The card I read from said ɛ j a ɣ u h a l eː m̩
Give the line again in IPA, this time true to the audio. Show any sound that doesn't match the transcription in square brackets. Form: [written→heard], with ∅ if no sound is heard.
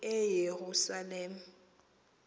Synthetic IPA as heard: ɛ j [a→e] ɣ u [h→s] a l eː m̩